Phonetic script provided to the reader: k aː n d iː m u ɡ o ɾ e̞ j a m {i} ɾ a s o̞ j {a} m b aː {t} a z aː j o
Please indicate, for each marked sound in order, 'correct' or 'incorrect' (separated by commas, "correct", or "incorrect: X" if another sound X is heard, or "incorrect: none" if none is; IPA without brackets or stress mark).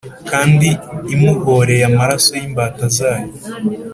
incorrect: a, incorrect: i, correct